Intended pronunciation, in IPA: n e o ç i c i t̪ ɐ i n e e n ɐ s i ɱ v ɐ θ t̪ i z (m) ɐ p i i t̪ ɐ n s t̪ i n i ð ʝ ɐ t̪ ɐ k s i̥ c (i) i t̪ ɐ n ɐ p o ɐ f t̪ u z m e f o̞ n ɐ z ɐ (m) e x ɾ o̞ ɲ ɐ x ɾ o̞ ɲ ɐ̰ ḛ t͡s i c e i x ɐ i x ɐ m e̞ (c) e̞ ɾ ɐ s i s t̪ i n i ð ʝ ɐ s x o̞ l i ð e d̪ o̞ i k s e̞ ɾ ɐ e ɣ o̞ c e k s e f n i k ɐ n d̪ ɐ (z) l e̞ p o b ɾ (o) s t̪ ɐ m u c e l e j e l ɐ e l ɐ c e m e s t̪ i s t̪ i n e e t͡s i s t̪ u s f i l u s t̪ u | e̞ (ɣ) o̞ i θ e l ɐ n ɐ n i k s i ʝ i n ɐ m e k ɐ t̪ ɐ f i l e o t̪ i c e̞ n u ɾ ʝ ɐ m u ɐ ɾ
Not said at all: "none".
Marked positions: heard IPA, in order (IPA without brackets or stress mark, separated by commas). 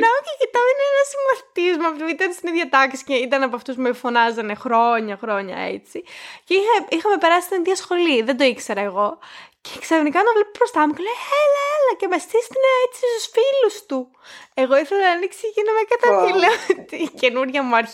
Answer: m, e, n, p, v, o, ɣ